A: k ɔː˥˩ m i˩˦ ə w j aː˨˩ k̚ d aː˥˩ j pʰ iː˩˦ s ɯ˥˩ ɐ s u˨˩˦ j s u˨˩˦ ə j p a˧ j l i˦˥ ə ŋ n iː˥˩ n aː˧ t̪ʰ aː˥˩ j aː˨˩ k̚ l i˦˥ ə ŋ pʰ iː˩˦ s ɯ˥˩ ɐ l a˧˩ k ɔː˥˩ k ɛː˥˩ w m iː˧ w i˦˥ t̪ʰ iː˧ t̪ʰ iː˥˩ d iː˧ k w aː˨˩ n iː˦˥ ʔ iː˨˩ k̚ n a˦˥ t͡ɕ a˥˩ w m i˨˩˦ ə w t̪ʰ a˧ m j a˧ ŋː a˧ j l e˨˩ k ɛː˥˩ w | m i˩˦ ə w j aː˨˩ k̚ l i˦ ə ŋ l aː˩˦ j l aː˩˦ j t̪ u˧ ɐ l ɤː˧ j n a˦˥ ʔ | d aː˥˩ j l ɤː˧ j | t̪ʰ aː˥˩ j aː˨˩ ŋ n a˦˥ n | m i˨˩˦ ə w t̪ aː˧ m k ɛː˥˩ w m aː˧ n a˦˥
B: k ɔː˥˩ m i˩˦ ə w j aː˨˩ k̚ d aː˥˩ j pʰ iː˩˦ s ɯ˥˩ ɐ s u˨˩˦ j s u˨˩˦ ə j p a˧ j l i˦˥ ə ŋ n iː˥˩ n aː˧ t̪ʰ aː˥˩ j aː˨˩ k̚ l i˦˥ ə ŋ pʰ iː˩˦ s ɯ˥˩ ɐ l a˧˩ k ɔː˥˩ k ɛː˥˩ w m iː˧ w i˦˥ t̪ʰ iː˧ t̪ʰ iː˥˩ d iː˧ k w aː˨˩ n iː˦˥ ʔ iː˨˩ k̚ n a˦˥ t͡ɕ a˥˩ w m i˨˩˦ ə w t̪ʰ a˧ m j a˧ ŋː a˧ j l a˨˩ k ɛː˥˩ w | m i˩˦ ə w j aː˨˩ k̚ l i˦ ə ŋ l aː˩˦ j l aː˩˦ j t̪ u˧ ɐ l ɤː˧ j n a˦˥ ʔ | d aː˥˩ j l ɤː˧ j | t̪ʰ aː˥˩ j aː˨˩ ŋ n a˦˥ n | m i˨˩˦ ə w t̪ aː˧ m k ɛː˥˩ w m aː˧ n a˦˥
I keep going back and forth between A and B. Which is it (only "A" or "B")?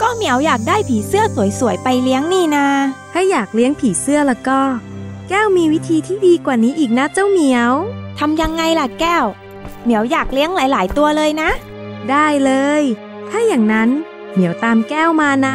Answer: B